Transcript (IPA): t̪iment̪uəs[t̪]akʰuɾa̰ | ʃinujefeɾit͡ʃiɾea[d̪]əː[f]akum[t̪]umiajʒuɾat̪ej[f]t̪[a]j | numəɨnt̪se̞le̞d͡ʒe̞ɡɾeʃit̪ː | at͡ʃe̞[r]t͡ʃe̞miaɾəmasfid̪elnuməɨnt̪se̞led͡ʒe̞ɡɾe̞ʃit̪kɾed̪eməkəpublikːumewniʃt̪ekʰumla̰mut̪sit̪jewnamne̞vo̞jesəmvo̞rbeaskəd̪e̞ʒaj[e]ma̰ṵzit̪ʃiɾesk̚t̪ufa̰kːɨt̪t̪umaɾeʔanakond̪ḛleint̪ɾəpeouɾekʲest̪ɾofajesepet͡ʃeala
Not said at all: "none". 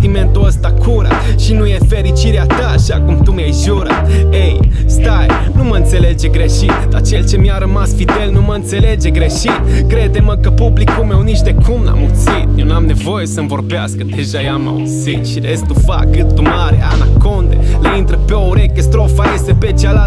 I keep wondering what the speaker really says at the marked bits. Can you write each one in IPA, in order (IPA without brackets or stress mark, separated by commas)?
t̪, t̪, ʃ, t̪, s, a, l, a